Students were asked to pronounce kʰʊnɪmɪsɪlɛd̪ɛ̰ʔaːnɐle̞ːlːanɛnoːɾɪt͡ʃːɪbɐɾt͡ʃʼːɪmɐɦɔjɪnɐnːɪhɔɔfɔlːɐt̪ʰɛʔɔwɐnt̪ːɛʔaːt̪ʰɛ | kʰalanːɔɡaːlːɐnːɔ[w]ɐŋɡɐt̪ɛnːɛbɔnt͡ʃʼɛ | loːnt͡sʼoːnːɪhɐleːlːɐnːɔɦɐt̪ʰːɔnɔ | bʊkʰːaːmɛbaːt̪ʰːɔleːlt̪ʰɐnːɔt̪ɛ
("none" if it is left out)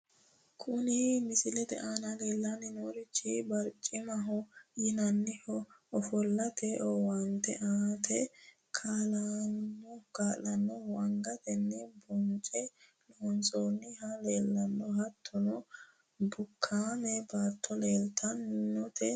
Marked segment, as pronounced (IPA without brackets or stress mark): w